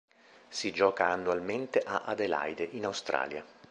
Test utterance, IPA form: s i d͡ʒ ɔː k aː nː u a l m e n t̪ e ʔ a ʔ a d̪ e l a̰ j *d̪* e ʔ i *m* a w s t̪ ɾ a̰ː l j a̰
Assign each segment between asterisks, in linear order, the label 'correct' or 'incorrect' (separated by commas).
correct, incorrect